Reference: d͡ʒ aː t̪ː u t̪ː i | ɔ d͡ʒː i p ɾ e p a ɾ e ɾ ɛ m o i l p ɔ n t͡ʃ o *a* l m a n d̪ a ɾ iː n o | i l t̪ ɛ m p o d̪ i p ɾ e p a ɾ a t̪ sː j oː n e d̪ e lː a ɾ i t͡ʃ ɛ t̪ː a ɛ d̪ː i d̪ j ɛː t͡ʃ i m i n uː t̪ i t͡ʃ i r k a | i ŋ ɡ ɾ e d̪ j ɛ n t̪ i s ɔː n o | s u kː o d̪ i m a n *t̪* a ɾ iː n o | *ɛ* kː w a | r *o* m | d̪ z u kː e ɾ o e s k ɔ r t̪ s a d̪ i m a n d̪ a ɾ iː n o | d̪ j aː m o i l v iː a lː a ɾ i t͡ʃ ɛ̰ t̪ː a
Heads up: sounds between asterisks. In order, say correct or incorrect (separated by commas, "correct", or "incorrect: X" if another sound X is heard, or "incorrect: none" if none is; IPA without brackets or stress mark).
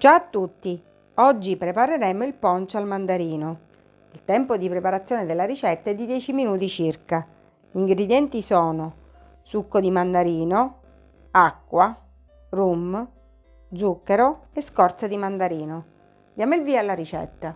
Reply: correct, incorrect: d̪, incorrect: a, incorrect: u